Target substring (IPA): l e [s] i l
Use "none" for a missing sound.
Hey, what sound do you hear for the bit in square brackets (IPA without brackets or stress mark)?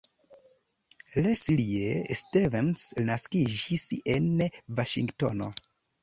s